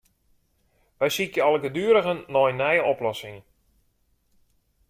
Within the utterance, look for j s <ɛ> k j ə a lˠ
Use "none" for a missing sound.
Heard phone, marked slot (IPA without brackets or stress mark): i